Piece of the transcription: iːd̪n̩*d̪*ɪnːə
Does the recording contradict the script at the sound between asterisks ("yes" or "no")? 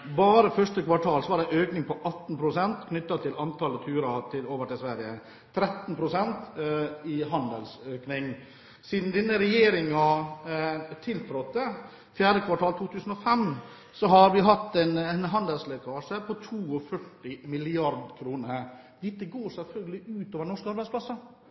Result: no